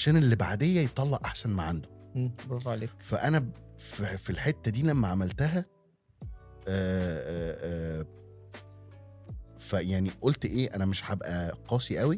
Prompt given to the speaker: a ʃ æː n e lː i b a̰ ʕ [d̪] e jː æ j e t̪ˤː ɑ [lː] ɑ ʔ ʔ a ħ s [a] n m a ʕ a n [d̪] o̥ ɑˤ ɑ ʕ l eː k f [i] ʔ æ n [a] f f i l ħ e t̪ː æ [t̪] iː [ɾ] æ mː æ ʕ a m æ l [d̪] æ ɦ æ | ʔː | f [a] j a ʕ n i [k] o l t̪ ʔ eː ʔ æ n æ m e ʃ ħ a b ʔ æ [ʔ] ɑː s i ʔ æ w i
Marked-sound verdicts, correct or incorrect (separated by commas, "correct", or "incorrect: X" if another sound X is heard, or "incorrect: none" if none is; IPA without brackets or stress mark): correct, correct, incorrect: æ, correct, incorrect: æ, incorrect: æ, incorrect: d̪, incorrect: l, incorrect: t̪, incorrect: æ, incorrect: ʔ, incorrect: q